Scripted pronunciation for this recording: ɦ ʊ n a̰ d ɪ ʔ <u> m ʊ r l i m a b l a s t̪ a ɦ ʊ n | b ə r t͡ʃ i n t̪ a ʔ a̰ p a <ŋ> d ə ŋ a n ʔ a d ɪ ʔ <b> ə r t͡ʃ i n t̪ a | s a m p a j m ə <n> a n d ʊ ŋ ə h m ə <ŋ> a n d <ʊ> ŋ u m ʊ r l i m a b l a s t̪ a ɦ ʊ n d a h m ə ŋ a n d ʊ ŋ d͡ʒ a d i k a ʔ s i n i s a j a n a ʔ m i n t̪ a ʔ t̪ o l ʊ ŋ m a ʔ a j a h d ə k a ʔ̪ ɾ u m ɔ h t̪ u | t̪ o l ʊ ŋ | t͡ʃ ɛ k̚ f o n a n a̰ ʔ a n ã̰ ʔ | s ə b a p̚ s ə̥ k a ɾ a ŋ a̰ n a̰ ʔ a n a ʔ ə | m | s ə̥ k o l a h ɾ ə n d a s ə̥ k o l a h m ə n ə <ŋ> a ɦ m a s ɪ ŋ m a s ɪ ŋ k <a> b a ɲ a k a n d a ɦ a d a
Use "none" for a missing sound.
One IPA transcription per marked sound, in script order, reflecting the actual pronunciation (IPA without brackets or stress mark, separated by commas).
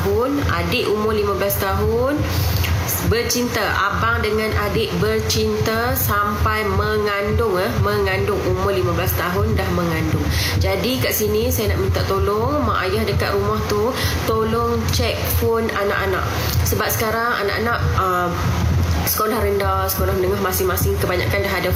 u, ŋ, b, ŋ, ŋ, ʊ, ŋ, ə